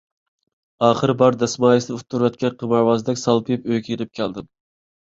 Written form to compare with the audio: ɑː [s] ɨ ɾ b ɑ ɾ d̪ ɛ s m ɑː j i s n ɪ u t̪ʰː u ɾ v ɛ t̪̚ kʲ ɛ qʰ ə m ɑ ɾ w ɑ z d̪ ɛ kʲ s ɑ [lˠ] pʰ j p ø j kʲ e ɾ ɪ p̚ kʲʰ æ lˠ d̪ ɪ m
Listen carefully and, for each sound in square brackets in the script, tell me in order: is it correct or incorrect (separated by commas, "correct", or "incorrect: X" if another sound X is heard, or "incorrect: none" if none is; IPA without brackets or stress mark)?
incorrect: χ, correct